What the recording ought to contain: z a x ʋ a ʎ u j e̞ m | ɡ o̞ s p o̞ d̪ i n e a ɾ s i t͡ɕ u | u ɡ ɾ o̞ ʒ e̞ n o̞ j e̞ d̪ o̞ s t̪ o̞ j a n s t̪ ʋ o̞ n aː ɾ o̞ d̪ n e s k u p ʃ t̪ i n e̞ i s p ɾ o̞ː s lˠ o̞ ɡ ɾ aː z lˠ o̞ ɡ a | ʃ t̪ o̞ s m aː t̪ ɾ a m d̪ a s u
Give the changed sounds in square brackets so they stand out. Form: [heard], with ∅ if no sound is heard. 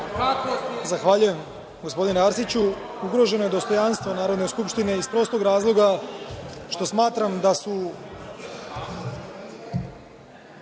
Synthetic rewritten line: z a x ʋ a ʎ u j e̞ m | ɡ o̞ s p o̞ d̪ i n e a ɾ s i t͡ɕ u | u ɡ ɾ o̞ ʒ e̞ n o̞ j e̞ d̪ o̞ s t̪ o̞ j a n s t̪ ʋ o̞ n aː ɾ o̞ d̪ n e s k u p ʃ t̪ i n e̞ i s p ɾ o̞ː s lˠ o̞ ɡ ɾ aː z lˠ o̞ ɡ a | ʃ t̪ o̞ s m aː t̪ ɾ a m d̪ a s u